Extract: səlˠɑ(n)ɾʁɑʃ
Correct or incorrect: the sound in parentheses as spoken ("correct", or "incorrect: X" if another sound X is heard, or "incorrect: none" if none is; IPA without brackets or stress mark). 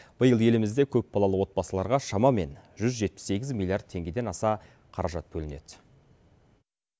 incorrect: none